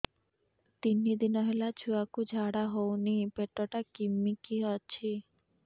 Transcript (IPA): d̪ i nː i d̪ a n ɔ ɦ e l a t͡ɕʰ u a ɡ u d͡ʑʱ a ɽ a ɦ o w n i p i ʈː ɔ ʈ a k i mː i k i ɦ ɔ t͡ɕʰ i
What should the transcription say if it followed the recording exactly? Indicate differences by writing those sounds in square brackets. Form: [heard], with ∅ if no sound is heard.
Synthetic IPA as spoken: [t̪] i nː i d̪ [i] n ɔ ɦ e l a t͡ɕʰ u a [k] u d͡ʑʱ a ɽ a ɦ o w n i p [e] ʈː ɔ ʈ a k i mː i k i ɦ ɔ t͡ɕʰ i